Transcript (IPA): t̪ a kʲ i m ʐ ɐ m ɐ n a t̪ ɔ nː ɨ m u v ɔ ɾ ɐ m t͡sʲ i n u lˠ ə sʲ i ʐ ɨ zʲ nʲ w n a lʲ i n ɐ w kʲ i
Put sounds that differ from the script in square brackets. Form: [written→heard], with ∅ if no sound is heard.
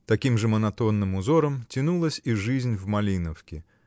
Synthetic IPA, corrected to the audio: t̪ a kʲ i m ʐ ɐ m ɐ n a t̪ ɔ nː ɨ m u [v→z] ɔ ɾ ɐ m t͡sʲ i n u lˠ [ə→ɐ] sʲ i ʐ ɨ zʲ nʲ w [n→m] a lʲ i n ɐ w kʲ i